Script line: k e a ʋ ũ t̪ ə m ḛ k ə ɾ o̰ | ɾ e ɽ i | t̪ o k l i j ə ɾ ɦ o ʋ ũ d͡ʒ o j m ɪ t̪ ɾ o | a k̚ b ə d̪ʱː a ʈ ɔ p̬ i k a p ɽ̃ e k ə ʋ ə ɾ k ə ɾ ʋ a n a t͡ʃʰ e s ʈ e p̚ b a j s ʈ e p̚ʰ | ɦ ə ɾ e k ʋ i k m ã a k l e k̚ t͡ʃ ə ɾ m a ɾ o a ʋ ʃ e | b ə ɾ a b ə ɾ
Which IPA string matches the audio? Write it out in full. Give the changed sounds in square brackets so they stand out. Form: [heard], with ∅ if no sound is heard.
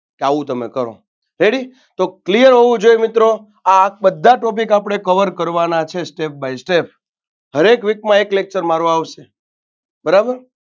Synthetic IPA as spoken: k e a ʋ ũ t̪ ə m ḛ k ə ɾ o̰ | ɾ e ɽ i | t̪ o k l i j ə ɾ ɦ o ʋ ũ d͡ʒ o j m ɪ t̪ ɾ o | a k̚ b ə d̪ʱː a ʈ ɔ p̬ i k a p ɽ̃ e k ə ʋ ə ɾ k ə ɾ ʋ a n a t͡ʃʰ e s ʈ e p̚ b a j s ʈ e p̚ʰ | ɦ ə ɾ e k ʋ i k m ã [e] k l e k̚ t͡ʃ ə ɾ m a ɾ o a ʋ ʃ e | b ə ɾ a b ə ɾ